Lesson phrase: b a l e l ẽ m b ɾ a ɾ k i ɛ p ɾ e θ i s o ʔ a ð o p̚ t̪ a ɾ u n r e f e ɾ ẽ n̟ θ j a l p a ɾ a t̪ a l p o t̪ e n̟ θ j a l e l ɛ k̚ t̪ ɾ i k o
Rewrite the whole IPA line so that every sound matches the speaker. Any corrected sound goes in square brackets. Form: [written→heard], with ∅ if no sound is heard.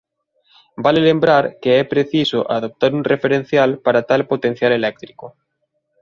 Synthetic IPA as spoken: b a l e l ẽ m b ɾ a ɾ k [i→e] ɛ p ɾ e θ i s o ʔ a ð o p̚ t̪ a ɾ u n r e f e ɾ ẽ n̟ θ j a l p a ɾ a t̪ a l p o t̪ e n̟ θ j a l e l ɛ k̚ t̪ ɾ i k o